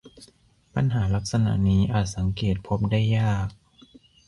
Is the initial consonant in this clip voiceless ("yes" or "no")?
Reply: yes